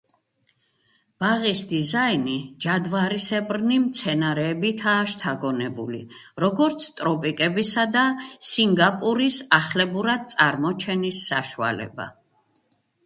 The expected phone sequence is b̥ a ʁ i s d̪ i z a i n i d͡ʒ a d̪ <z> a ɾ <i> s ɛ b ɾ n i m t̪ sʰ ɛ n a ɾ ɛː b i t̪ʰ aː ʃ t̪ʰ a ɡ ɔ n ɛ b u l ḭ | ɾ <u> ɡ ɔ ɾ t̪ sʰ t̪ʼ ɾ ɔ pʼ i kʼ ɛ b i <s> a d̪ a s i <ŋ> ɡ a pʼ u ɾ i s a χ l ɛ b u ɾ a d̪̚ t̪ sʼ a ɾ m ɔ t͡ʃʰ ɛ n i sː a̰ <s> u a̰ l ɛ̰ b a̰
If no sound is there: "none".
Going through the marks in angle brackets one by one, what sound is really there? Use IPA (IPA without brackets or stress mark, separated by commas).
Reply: v, i, ɔ, s, ŋ, ʃ